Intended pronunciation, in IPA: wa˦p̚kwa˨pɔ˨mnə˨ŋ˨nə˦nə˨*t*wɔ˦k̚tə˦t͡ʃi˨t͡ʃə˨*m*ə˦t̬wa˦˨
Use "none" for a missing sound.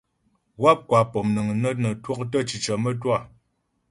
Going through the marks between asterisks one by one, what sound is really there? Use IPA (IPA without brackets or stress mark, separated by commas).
t, m